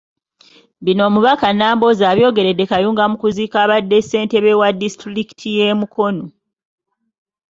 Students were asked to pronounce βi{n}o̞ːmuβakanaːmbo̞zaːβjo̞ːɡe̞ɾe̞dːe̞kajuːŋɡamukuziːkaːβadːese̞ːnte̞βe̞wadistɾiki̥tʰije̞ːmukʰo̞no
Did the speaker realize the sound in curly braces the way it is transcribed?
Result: yes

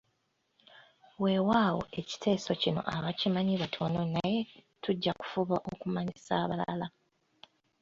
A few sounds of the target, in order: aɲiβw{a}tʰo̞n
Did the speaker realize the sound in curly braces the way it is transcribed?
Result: yes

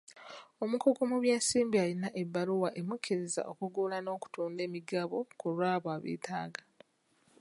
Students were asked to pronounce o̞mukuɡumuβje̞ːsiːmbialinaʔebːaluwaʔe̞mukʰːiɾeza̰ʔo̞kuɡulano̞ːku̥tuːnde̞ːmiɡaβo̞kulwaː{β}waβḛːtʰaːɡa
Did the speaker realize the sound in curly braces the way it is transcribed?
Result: yes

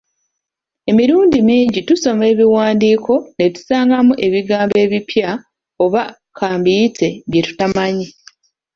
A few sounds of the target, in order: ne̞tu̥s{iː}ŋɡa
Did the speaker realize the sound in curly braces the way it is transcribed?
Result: no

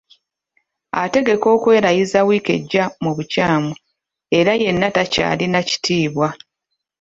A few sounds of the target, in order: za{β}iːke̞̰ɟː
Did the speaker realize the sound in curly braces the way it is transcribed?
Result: no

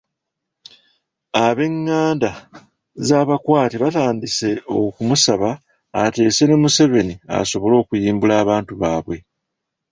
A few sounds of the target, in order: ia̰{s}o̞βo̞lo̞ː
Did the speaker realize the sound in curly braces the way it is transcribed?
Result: yes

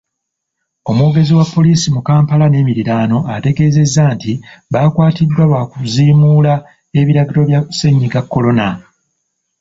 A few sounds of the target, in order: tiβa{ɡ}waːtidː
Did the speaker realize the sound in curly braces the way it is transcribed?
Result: no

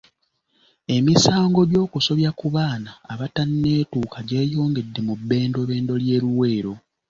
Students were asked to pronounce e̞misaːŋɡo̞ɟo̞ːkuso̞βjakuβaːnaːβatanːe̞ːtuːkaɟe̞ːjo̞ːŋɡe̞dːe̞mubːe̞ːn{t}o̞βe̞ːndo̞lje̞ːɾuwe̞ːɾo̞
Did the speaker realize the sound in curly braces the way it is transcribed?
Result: no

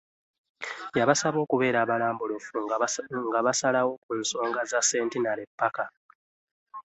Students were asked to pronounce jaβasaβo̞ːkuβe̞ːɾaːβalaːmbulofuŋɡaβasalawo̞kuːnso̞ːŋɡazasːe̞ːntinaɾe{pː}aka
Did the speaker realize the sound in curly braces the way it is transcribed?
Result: yes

